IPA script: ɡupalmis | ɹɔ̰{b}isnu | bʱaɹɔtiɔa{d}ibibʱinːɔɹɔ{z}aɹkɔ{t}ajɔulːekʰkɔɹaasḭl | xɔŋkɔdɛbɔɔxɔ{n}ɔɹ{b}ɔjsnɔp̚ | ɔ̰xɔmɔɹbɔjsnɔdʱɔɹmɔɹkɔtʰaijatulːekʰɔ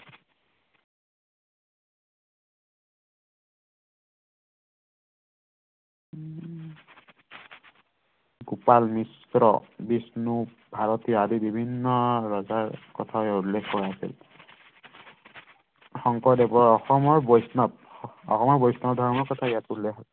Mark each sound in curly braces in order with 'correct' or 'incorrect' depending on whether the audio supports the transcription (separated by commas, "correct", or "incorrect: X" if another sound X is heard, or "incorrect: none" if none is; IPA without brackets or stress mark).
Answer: correct, correct, correct, incorrect: tʰ, incorrect: m, correct